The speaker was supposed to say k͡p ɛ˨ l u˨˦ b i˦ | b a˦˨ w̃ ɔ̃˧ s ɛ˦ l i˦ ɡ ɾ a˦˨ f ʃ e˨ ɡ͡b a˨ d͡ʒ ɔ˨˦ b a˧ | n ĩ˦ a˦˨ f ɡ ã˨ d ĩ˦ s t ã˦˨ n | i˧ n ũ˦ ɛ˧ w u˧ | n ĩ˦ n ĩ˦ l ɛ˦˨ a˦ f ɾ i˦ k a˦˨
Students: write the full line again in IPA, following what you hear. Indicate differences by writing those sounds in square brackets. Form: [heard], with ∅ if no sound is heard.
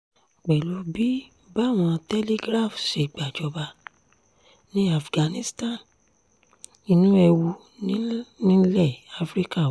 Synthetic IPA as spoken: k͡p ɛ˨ l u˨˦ b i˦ | b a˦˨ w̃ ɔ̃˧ [t] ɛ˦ l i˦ ɡ ɾ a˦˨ f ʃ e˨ ɡ͡b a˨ d͡ʒ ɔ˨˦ b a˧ | n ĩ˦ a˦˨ f ɡ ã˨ [n] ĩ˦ s t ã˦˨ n | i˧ n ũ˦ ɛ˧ w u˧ | n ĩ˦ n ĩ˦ l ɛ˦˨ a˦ f ɾ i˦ k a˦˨